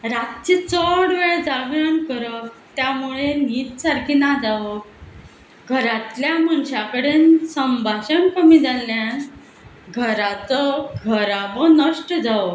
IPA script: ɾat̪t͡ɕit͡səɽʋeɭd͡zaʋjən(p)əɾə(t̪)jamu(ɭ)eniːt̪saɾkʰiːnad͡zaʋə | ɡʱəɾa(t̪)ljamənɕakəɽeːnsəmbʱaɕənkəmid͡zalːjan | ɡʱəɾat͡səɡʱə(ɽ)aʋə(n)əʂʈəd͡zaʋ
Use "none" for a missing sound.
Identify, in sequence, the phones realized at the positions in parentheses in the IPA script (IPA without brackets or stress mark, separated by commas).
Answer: k, t̪, ɭ, t̪, ɾ, n